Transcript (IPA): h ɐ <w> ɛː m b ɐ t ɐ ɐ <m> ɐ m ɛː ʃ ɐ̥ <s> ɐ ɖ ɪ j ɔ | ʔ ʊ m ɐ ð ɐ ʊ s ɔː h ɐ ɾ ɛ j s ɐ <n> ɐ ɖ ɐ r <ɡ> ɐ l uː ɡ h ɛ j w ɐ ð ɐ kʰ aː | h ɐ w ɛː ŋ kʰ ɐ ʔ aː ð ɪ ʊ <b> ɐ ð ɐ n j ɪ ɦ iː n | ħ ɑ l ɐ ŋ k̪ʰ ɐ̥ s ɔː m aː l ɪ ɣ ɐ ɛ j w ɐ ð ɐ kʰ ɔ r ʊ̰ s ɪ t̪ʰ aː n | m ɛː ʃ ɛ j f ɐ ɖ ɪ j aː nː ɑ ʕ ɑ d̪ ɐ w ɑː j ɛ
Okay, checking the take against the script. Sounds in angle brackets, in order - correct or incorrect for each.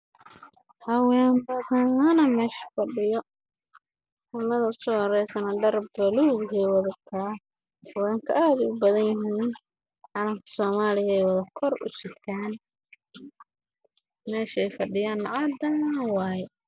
correct, incorrect: n, incorrect: f, correct, incorrect: b, correct

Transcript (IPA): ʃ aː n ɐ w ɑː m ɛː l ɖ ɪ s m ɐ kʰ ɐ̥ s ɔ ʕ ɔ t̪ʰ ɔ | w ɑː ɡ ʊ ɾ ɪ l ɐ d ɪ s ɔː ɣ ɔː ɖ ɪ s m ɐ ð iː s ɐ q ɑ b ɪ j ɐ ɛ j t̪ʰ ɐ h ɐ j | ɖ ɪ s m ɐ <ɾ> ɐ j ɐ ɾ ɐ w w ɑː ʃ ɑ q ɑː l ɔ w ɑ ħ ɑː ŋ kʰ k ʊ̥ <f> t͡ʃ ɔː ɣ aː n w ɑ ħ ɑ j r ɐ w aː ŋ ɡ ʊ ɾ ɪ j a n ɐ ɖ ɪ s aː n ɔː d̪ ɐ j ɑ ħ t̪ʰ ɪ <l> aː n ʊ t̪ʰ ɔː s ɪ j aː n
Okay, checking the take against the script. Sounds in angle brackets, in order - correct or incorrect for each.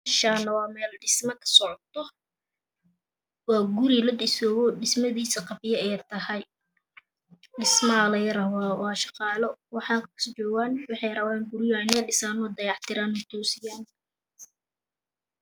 incorrect: l, incorrect: s, incorrect: ɾ

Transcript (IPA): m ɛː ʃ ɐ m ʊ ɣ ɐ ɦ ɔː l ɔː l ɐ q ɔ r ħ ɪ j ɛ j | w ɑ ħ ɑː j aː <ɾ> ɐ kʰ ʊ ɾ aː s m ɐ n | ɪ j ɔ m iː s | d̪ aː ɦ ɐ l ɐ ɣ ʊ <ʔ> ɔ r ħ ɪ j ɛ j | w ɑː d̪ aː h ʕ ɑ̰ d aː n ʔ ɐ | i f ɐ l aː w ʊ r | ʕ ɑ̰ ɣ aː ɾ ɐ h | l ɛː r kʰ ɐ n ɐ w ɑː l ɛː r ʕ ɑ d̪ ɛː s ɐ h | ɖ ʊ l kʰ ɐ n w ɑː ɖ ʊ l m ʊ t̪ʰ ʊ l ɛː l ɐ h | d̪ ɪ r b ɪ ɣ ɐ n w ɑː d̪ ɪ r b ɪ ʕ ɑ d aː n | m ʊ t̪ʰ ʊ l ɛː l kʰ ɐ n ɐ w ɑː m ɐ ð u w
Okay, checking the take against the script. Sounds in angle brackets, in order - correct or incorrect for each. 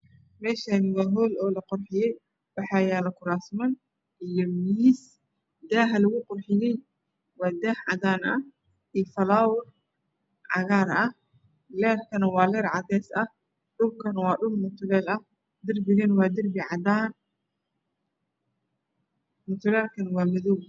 incorrect: l, incorrect: q

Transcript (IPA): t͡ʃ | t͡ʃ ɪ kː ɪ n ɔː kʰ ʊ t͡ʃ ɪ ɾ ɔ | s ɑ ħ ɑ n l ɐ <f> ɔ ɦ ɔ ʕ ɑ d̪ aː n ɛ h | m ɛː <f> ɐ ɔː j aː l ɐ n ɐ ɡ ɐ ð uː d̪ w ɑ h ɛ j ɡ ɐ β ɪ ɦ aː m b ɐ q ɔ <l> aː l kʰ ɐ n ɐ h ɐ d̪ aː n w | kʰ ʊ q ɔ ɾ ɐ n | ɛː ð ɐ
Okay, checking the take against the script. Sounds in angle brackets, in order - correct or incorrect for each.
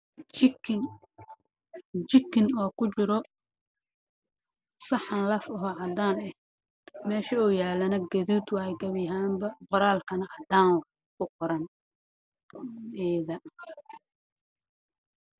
correct, incorrect: ʃ, incorrect: ɾ

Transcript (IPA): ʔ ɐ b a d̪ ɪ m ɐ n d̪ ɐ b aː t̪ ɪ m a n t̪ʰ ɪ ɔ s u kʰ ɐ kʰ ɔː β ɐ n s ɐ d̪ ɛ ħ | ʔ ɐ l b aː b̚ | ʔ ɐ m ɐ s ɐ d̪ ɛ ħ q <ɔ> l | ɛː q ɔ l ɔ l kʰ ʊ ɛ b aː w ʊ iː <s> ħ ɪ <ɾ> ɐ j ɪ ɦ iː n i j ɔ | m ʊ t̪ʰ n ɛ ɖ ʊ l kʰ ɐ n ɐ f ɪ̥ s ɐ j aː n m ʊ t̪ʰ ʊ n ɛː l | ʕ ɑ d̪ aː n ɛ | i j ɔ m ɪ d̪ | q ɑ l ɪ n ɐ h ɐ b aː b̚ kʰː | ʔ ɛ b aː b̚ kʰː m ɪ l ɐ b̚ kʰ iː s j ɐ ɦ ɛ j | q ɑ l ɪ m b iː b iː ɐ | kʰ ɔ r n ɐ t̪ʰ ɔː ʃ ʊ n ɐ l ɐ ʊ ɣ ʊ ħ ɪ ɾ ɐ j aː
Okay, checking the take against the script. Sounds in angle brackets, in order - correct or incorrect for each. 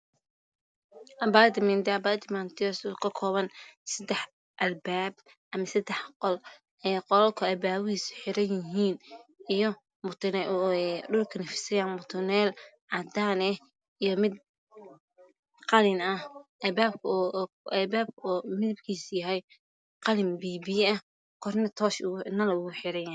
correct, correct, correct

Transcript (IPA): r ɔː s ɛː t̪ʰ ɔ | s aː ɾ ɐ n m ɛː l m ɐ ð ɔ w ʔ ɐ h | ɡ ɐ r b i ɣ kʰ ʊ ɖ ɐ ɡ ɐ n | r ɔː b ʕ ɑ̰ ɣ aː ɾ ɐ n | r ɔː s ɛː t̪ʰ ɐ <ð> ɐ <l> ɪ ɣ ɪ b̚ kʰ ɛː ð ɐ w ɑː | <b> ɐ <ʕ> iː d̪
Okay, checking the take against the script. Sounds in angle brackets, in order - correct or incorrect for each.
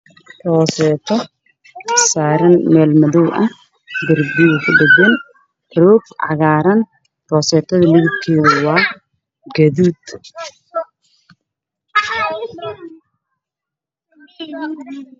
correct, correct, incorrect: ɡ, incorrect: ð

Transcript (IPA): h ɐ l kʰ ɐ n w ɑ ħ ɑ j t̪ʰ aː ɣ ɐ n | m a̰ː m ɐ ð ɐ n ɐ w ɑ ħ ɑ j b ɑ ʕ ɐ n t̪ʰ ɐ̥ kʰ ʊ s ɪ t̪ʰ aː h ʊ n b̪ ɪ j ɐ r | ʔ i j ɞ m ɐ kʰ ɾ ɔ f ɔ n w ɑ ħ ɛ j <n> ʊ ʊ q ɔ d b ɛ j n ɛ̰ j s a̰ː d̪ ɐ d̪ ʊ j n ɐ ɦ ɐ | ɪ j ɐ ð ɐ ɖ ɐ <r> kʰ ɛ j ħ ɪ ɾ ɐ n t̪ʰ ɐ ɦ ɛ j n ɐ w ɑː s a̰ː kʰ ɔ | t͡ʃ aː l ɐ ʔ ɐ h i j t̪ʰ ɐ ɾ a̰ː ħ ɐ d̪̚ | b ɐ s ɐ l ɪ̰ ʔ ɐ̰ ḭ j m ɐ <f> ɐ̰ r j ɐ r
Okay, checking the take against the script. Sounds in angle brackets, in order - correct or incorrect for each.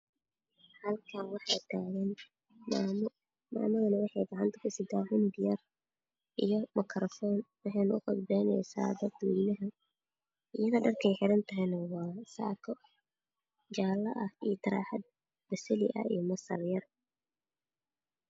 correct, correct, incorrect: s

